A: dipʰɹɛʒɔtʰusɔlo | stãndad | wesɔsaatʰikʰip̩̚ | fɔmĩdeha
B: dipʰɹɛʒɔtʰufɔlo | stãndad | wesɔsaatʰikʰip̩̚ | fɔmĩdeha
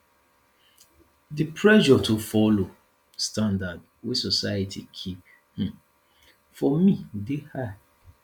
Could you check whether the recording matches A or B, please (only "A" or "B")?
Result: B